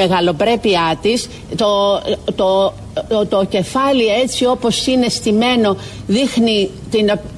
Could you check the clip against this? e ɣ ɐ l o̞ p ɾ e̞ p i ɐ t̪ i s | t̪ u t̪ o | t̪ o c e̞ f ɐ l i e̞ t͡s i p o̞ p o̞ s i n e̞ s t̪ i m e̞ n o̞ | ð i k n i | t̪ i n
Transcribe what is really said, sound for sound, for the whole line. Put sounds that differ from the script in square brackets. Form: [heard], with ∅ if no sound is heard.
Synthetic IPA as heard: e ɣ ɐ l o̞ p ɾ e̞ p i ɐ t̪ i s | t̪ [o] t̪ o | t̪ o c e̞ f ɐ l i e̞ t͡s i [∅] o̞ p o̞ s i n e̞ s t̪ i m e̞ n o̞ | ð i [x] n i | t̪ i n